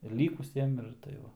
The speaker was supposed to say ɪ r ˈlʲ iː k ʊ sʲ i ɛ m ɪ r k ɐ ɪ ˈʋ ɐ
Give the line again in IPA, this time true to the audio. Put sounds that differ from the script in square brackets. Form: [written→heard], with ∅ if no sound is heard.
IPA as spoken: ɪ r ˈlʲ iː k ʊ sʲ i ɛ m ɪ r [k→t] ɐ ɪ ˈʋ ɐ

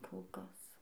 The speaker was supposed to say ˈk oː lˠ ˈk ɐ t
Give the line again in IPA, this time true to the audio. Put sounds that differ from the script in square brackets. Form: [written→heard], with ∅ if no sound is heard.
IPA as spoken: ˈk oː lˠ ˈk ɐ [t→s]

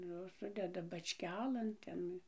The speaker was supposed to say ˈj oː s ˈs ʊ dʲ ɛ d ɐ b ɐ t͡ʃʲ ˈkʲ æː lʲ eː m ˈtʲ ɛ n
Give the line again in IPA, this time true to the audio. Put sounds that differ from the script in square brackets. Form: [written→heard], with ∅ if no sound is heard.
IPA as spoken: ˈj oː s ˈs ʊ dʲ ɛ d ɐ b ɐ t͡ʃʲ ˈkʲ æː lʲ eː [m→n] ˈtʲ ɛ n

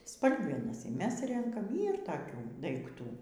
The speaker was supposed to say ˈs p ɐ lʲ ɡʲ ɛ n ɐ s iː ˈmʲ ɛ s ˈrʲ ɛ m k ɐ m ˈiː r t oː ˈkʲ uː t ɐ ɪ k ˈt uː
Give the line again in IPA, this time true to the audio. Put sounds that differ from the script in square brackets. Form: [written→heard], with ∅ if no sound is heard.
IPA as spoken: ˈs p ɐ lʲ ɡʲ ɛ n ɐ s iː ˈmʲ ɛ s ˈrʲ ɛ [m→ŋ] k ɐ m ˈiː r t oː ˈkʲ uː [t→d] ɐ ɪ k ˈt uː

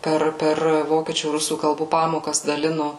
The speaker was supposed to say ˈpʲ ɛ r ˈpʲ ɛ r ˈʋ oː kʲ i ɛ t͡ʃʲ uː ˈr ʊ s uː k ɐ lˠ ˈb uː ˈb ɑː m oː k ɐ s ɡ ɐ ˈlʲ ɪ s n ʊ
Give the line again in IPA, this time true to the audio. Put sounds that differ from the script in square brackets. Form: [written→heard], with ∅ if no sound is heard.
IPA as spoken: ˈpʲ ɛ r ˈpʲ ɛ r ˈʋ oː kʲ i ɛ t͡ʃʲ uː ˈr ʊ s uː k ɐ lˠ ˈb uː [ˈb→ˈp] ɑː m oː k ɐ s [ɡ→d] ɐ ˈlʲ ɪ [s→∅] n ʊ

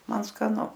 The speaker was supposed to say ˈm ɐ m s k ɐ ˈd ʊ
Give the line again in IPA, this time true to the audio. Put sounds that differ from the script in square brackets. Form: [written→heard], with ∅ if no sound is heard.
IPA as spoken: ˈm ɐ [m→n] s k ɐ [ˈd→ˈn] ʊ

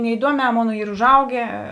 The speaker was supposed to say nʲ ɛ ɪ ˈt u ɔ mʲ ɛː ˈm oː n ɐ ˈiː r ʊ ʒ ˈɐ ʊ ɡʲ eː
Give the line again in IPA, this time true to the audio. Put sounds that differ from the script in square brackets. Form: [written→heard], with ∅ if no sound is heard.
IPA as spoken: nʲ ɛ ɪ [ˈt→ˈd] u ɔ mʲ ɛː ˈm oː n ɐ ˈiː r ʊ ʒ ˈɐ ʊ ɡʲ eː

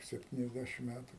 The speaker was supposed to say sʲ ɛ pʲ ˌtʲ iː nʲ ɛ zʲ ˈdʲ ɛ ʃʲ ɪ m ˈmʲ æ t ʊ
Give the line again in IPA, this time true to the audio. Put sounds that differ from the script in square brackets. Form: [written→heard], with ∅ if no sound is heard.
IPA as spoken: sʲ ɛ pʲ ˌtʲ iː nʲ ɛ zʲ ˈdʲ [ɛ→æ] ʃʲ ɪ m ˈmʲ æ t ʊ

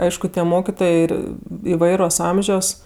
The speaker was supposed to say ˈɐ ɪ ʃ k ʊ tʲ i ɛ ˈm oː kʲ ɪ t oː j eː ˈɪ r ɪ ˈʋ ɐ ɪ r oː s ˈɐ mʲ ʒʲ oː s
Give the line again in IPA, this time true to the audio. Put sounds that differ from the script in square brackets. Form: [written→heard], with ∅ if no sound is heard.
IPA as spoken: ˈɐ ɪ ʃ k ʊ tʲ i ɛ ˈm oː kʲ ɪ t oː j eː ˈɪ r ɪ ˈʋ ɐ ɪ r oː s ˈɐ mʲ ʒʲ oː s

